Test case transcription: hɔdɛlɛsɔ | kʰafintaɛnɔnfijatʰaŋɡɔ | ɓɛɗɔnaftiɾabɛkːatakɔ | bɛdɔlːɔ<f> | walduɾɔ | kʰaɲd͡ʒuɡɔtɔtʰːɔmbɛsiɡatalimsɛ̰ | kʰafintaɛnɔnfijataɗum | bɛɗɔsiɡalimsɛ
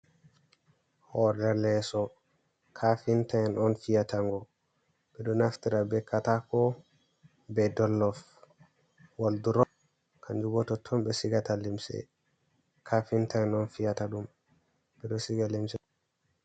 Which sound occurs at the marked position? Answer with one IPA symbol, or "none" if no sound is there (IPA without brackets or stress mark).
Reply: f